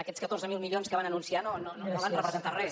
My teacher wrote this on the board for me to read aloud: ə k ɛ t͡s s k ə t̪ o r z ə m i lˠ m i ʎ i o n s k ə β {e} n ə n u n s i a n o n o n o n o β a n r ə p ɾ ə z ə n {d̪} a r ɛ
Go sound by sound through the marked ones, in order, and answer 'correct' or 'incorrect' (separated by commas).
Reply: incorrect, incorrect